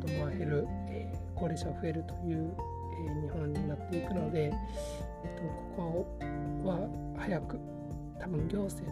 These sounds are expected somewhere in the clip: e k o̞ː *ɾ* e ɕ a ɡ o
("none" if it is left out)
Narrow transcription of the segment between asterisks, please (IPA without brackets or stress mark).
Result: ɾ